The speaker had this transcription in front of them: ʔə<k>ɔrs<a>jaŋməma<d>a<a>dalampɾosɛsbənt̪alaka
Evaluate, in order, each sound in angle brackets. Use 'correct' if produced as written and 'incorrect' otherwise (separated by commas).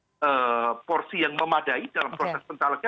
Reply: incorrect, incorrect, correct, incorrect